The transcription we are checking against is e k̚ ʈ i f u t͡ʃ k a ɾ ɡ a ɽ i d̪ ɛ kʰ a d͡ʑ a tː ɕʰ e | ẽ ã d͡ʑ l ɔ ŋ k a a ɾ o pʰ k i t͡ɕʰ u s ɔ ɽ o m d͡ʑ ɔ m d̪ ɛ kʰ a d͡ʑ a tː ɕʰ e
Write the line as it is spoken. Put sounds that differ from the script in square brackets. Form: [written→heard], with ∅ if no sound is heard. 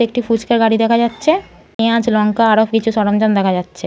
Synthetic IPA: e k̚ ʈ i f u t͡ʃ k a ɾ ɡ a ɽ i d̪ ɛ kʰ a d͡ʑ a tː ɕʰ e | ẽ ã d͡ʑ l ɔ ŋ k a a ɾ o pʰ k i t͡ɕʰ u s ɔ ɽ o m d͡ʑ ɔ [m→n] d̪ ɛ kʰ a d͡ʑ a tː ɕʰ e